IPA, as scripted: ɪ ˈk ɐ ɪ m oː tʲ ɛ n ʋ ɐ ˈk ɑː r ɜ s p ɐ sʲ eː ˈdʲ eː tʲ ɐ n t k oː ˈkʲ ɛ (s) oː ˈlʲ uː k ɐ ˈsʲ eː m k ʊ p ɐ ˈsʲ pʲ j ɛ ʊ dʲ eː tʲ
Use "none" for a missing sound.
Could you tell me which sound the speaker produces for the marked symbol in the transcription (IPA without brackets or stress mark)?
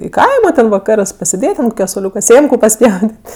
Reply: s